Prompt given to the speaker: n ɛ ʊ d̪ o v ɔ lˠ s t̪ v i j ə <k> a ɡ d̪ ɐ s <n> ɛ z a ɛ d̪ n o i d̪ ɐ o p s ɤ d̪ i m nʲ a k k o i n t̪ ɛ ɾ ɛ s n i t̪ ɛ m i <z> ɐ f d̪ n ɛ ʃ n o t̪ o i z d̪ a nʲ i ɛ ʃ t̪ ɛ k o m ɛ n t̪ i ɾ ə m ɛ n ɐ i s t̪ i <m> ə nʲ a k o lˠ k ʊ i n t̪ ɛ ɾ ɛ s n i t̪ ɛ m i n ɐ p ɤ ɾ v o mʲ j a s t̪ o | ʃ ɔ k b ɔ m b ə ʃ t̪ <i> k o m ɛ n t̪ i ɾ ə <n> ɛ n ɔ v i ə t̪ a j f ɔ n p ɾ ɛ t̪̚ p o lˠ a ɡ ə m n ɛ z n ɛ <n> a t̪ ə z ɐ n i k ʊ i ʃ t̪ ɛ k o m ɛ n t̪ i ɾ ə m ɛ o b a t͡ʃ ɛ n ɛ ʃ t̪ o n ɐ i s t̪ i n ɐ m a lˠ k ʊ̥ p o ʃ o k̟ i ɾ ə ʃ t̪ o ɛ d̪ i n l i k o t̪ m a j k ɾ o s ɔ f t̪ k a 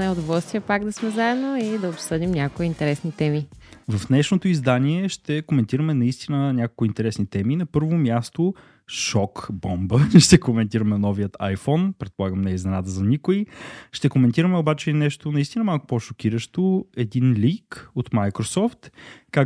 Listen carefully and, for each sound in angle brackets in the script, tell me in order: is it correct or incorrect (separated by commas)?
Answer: incorrect, incorrect, incorrect, incorrect, incorrect, incorrect, correct